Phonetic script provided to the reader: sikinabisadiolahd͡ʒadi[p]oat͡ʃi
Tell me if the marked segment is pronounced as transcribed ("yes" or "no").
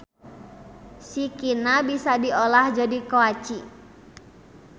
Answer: no